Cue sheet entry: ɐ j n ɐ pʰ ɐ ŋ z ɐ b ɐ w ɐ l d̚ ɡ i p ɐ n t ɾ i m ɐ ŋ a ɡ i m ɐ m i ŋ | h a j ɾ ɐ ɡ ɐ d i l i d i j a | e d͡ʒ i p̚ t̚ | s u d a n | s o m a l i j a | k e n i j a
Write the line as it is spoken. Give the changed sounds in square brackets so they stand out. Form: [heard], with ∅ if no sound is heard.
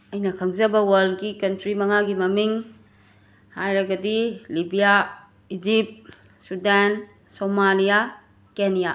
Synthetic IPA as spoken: ɐ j n ɐ [kʰ] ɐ ŋ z ɐ b ɐ w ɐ l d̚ ɡ i [k] ɐ n t ɾ i m ɐ ŋ a ɡ i m ɐ m i ŋ | h a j ɾ ɐ ɡ ɐ d i l i [b] i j a | [i] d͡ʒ i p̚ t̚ | s u d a n | s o m a l i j a | k e n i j a